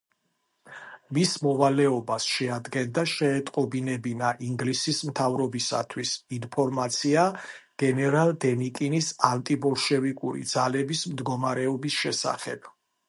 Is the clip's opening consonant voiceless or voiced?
voiced